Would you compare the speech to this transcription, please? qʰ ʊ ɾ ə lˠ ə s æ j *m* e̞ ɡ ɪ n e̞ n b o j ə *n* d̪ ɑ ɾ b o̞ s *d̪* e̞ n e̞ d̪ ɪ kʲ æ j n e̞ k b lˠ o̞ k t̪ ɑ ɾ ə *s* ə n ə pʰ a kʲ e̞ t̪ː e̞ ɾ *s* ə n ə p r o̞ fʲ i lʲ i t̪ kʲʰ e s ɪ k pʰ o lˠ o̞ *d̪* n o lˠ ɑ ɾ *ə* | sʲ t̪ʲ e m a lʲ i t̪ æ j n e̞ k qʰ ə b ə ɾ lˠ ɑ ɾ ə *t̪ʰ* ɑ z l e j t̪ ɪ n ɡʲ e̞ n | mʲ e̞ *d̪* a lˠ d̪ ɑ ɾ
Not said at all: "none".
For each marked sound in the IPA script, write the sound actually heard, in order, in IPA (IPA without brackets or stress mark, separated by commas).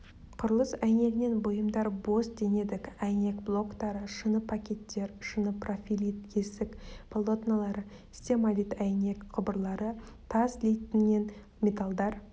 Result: n, m, d̪, ʃ, ʃ, t̪, ə, t̪ʰ, t̪